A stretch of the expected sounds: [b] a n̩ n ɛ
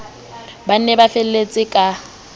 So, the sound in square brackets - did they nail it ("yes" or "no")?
yes